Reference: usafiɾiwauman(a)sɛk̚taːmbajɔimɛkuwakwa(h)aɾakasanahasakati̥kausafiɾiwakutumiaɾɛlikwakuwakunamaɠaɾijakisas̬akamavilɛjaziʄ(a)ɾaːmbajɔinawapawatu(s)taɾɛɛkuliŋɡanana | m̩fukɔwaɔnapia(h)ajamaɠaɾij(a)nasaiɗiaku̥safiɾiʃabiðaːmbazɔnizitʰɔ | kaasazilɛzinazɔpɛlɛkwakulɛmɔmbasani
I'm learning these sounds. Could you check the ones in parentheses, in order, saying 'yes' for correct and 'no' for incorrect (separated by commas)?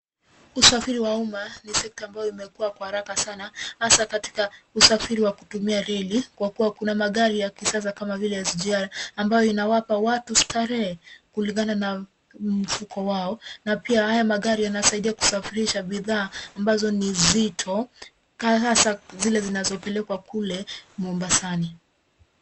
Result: no, yes, yes, yes, yes, yes